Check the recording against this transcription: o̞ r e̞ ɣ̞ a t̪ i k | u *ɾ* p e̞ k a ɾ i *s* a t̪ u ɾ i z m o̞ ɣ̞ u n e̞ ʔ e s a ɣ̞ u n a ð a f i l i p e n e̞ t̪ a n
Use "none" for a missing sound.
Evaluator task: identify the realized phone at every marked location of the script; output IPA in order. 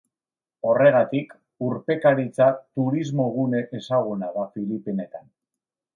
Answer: ɾ, t͡s

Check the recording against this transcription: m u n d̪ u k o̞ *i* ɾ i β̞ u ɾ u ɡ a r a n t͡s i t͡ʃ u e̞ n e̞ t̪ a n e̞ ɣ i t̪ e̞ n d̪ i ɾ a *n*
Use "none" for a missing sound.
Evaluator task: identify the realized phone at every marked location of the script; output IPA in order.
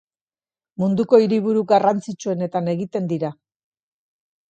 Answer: i, none

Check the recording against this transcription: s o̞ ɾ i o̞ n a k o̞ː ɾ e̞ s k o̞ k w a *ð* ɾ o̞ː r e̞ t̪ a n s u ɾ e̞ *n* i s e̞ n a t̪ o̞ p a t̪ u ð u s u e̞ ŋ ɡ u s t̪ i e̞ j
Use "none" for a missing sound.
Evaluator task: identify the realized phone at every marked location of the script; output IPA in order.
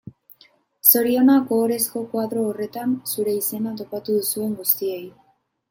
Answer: ð, none

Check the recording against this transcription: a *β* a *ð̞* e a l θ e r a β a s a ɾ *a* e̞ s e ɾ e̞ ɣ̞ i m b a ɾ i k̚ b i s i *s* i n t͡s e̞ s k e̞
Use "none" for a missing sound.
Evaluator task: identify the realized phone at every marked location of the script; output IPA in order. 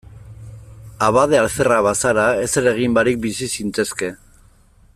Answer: β, ð̞, a, s

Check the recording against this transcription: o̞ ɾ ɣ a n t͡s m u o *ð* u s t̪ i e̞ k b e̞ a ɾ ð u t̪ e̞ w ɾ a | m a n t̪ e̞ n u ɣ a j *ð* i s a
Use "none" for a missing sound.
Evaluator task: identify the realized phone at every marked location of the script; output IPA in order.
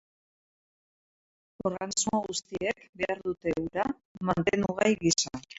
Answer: ɣ, ɣ

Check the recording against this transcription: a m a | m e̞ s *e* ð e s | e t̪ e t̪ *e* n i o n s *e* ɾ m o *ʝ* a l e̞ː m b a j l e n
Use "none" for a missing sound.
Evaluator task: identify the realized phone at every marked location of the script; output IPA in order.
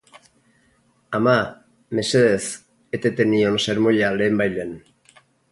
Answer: e, e, e, ʎ

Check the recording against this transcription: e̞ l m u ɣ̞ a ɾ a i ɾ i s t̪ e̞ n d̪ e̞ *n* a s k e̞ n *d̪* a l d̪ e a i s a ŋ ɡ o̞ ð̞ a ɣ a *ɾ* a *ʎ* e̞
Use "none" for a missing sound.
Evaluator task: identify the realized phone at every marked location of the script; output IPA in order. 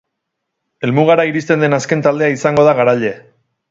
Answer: n, t̪, ɾ, ʎ

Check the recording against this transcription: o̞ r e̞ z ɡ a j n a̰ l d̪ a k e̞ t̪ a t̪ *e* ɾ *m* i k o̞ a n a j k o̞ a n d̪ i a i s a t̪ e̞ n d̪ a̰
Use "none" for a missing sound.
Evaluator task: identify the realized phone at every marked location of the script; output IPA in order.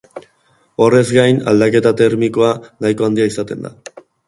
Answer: e, m

